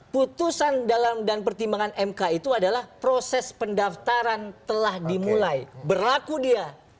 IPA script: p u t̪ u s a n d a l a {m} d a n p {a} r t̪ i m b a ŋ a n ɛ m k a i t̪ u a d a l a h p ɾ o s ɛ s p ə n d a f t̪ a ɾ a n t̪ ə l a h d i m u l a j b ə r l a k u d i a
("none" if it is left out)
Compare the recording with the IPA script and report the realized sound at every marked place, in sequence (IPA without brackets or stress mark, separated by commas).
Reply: m, ə